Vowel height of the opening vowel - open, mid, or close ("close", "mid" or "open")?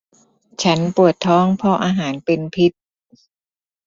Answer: open